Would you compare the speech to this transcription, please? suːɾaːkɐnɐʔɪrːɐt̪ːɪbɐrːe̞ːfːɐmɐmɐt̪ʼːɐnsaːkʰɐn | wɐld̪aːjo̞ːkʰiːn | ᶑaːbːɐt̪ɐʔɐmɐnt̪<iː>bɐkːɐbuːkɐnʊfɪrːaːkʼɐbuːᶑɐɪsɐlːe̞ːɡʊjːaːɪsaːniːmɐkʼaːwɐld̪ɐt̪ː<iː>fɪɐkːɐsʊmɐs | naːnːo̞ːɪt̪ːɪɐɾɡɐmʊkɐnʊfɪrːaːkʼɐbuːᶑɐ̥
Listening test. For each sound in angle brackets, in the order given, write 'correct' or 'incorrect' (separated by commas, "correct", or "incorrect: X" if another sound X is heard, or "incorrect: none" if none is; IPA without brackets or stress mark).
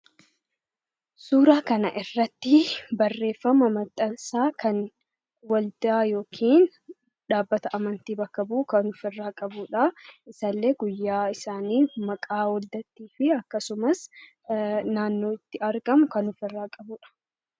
correct, correct